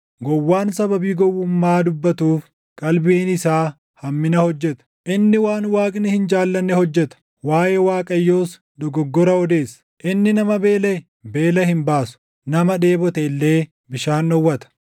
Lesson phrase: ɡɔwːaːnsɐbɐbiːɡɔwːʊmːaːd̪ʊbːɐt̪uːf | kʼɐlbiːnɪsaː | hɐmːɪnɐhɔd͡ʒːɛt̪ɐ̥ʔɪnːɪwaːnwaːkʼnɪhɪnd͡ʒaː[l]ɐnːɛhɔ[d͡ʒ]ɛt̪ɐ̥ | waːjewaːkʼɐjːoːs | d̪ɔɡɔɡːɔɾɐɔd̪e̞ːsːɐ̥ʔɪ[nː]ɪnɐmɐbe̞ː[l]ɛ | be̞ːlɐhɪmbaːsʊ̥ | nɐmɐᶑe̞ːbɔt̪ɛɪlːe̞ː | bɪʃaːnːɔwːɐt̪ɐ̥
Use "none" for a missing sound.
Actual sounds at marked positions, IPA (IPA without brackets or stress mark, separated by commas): lː, d͡ʒː, nː, l